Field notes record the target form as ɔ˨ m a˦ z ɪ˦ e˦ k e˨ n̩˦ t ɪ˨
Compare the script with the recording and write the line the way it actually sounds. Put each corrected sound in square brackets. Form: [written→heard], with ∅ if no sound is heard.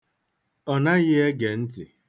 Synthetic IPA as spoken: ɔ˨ [m→n] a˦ [z→ɣ] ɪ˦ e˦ [k→ɡ] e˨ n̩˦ t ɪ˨